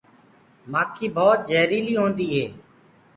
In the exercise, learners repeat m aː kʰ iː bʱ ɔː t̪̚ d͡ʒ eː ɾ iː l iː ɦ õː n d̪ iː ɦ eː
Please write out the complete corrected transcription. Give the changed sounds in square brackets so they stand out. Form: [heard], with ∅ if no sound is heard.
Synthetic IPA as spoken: m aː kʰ iː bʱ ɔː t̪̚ d͡ʒ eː ɾ iː l iː ɦ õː n d̪ iː ɦ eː